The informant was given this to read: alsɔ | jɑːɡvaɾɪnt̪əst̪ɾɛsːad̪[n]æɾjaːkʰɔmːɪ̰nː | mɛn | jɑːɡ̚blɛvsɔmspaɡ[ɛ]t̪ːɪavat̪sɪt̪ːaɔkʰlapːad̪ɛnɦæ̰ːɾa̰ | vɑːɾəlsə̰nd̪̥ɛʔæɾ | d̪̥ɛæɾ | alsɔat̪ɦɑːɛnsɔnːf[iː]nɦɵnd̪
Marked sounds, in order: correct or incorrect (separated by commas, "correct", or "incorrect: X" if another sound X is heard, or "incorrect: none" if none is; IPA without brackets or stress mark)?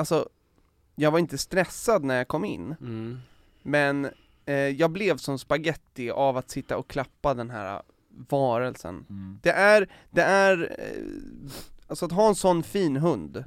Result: correct, correct, correct